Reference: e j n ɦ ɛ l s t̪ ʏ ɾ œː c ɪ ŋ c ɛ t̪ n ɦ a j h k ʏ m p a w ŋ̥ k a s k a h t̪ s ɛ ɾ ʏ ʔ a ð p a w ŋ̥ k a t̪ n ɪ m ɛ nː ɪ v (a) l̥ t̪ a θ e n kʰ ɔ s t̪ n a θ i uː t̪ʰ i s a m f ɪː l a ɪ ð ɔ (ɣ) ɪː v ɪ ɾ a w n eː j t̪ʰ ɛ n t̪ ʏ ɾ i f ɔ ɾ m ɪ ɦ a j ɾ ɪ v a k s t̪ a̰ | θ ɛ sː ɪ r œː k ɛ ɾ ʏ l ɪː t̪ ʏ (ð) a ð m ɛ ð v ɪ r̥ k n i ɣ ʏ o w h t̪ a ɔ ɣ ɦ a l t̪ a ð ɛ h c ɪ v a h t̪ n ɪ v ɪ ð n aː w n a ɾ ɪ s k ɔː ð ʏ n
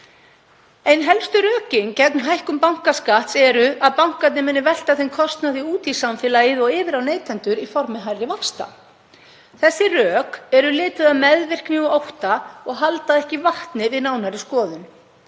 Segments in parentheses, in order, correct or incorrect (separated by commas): incorrect, correct, correct